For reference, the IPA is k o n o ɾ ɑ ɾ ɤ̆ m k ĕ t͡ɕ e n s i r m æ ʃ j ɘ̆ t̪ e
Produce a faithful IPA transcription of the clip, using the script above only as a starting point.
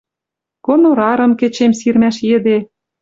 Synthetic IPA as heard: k o n o ɾ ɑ ɾ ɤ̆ m k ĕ t͡ɕ e m s i r m æ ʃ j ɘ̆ d̪ e